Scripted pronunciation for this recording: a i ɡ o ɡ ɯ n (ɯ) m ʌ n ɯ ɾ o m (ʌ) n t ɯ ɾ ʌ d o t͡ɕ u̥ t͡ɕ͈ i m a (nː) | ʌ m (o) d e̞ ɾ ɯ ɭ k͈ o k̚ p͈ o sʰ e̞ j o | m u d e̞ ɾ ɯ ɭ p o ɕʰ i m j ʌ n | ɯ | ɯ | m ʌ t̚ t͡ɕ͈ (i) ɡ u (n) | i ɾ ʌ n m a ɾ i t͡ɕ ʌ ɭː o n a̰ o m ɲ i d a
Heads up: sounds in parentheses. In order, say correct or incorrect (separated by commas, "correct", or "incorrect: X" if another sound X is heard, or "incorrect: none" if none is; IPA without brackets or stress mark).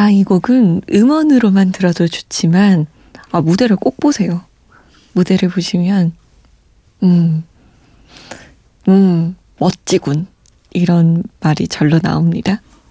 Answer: correct, incorrect: a, incorrect: n, incorrect: u, correct, correct